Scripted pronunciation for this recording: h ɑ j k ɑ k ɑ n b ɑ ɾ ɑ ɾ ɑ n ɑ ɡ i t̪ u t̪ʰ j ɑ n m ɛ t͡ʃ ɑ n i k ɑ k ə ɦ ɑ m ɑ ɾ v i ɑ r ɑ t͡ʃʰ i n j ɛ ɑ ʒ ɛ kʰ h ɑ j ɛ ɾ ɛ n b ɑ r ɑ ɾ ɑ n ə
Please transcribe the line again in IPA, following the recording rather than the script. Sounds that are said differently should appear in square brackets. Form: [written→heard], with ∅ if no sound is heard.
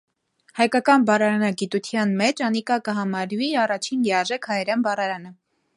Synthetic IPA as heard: h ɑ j k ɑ k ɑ n b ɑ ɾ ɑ ɾ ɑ n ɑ ɡ i t̪ u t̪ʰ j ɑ n m ɛ t͡ʃ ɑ n i k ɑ k ə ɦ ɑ m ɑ ɾ v i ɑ r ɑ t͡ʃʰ i n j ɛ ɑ ʒ ɛ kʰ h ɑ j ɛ ɾ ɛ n b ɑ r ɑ ɾ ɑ n ə